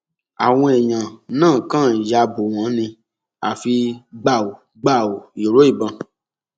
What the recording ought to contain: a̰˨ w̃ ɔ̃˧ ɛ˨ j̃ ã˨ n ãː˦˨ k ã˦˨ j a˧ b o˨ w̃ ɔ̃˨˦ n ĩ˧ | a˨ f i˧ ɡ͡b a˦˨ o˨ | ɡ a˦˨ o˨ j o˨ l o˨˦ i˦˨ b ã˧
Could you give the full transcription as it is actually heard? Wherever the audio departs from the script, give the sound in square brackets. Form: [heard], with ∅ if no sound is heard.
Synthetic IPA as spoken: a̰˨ w̃ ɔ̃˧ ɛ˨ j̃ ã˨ n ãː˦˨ k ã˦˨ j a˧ b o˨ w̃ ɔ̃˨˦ n ĩ˧ | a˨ f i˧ ɡ͡b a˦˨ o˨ | [ɡ͡b] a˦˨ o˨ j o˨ [ɾ] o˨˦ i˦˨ b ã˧